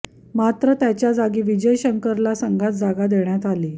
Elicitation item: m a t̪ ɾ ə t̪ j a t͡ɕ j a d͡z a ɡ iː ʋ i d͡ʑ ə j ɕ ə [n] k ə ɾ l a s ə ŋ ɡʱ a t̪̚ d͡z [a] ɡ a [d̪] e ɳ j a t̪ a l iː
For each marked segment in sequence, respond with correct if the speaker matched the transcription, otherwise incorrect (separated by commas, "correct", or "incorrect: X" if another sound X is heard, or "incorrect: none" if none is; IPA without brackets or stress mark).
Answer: incorrect: ŋ, correct, correct